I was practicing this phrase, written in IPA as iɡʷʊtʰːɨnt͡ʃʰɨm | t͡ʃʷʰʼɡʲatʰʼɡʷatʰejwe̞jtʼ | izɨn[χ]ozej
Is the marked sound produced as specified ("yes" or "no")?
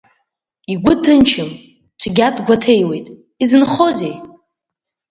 yes